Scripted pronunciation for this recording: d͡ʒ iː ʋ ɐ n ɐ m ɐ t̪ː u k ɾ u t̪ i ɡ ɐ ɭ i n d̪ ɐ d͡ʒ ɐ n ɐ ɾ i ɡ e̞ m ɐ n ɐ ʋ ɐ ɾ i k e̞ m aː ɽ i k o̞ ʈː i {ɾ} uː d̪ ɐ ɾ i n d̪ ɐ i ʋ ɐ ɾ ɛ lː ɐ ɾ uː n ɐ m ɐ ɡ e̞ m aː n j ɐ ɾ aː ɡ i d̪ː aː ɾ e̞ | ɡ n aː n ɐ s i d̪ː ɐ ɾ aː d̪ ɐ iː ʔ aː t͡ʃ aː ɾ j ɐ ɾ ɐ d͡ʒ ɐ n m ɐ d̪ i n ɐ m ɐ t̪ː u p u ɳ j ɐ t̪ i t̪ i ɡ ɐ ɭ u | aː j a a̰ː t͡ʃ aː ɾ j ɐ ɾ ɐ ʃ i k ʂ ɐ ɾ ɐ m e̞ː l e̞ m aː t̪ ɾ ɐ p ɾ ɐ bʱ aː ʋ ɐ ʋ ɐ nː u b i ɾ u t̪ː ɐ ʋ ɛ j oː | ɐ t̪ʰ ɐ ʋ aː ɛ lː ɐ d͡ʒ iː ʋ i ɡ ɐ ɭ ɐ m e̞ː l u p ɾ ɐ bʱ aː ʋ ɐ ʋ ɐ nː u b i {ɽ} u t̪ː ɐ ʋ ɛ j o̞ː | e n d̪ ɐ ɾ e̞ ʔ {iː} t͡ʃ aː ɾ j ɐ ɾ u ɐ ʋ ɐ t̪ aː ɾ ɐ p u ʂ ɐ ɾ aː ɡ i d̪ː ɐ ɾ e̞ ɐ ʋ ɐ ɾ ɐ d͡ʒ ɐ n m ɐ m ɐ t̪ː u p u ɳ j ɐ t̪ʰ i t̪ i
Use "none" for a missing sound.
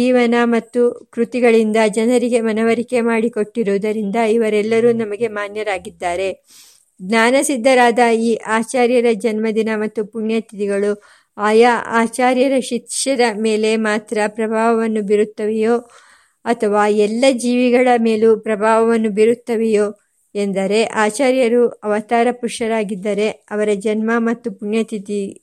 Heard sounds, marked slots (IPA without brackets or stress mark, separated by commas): ɾ, ɾ, aː